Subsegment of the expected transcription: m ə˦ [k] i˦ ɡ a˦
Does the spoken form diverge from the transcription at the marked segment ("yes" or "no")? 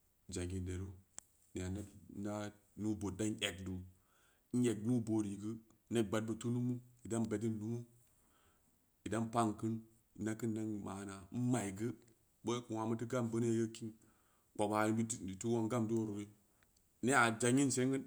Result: yes